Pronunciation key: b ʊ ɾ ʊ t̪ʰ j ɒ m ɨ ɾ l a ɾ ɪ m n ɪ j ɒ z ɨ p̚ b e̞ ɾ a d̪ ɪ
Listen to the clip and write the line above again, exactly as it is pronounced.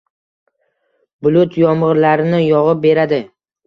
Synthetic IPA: b ʊ l ʊ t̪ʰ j ɒ m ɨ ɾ l a ɾ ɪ n ɪ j ɒ ʁ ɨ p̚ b e̞ ɾ a d̪ ɪ